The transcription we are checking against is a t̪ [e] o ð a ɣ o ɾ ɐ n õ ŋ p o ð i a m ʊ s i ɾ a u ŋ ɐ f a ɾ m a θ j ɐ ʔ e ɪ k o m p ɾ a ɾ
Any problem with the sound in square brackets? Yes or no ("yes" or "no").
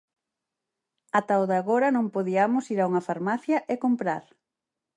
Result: yes